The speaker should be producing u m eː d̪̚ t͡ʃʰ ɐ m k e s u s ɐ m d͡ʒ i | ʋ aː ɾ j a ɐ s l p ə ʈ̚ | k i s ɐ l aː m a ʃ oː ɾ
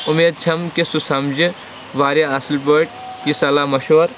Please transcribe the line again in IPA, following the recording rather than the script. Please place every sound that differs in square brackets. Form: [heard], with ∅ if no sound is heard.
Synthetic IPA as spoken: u m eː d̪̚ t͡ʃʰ ɐ m k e s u s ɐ m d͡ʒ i | ʋ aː ɾ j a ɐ s l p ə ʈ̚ | k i s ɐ l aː m [ɐ] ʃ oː ɾ

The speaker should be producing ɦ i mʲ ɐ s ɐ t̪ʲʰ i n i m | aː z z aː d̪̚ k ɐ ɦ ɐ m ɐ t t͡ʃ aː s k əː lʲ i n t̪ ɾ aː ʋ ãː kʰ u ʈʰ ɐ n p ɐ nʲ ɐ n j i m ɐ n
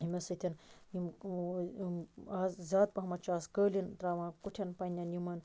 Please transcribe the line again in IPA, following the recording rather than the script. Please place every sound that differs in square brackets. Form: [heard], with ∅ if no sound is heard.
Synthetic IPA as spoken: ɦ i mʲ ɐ s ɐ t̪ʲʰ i n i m | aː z z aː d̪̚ [p] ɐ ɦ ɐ m ɐ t t͡ʃ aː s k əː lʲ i n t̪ ɾ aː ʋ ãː [k] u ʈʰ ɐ n p ɐ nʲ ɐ n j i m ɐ n

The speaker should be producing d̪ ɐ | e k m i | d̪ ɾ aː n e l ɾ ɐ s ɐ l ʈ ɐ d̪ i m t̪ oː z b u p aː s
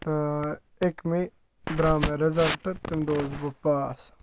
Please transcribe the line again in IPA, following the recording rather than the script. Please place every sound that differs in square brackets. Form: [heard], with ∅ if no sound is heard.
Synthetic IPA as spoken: [t̪] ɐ | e k m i | d̪ ɾ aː [m] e [∅] ɾ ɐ [z] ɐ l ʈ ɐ [t̪] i m [d̪] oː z b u p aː s

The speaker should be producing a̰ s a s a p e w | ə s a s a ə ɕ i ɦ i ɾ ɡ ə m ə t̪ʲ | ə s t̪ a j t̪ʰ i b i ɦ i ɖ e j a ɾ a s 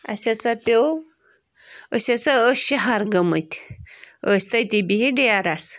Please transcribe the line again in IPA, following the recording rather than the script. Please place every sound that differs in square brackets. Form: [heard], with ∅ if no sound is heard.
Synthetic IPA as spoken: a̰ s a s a p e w | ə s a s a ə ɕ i ɦ [a] ɾ ɡ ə m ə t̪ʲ | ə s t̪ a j [t̪] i b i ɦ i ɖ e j a ɾ a s

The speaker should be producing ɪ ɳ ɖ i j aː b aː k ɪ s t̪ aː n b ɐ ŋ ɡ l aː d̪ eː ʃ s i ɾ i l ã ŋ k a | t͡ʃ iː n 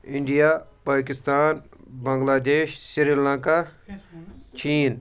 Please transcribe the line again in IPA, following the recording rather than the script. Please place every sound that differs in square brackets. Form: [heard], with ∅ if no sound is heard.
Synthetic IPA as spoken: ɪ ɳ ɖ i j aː [p] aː k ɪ s t̪ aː n b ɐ ŋ ɡ l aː d̪ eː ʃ s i ɾ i l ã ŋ k a | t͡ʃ iː n

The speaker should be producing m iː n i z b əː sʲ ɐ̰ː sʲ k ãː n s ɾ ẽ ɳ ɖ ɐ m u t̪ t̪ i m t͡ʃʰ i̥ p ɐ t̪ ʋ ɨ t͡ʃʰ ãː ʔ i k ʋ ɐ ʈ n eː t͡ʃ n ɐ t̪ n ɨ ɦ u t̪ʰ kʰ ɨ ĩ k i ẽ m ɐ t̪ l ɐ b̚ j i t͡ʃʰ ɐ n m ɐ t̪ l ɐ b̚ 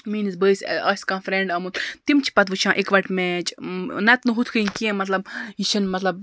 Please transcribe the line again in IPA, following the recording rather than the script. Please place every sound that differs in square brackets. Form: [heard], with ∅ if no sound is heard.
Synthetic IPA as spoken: m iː n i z b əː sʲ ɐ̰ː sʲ k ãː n [f] ɾ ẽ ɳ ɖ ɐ m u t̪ t̪ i m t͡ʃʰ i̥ p ɐ t̪ ʋ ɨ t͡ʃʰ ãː ʔ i k ʋ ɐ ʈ [m] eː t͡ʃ n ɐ t̪ n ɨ ɦ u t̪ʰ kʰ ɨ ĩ k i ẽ m ɐ t̪ l ɐ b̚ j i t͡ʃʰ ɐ n m ɐ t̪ l ɐ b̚

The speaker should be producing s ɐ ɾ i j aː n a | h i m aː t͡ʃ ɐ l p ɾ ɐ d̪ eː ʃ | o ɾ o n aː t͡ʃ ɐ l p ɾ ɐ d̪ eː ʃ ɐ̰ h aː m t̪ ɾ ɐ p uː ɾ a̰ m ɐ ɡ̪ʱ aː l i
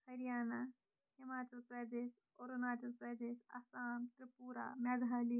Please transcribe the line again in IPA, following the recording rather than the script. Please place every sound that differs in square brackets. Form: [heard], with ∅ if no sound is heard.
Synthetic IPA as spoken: [h] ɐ ɾ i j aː n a | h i m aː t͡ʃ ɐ l p ɾ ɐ d̪ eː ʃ | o ɾ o n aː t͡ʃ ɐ l p ɾ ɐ d̪ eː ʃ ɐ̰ [s] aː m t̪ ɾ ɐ p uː ɾ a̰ m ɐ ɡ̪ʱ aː l i

